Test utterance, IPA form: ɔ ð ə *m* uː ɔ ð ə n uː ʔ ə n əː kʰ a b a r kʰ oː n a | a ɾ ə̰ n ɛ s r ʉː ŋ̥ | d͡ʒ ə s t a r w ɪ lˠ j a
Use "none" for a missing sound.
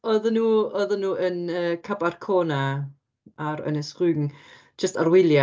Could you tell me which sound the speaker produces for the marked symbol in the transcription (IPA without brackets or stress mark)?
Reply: n